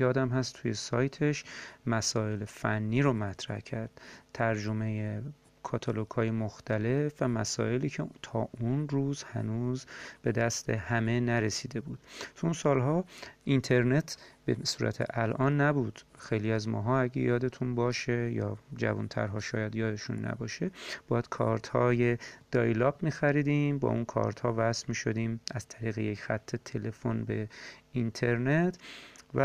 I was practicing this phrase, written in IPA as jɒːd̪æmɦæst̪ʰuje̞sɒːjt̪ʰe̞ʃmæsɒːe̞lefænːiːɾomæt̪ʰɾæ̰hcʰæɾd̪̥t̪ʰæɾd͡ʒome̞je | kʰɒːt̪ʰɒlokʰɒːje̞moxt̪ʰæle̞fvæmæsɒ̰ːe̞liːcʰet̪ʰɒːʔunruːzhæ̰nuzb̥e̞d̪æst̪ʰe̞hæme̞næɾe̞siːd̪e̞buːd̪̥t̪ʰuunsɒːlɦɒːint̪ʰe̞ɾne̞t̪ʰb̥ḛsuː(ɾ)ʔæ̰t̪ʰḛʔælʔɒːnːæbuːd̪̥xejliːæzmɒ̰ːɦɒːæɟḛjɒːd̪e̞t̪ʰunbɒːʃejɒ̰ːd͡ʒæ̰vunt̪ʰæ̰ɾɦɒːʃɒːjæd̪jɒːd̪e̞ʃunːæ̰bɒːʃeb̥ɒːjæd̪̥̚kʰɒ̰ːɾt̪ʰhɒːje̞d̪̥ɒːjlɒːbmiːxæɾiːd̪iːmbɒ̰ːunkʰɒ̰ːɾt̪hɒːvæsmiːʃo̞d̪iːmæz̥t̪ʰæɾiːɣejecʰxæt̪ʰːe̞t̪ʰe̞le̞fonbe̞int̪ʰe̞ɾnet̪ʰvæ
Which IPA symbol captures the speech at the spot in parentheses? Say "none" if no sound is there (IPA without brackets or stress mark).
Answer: ɾ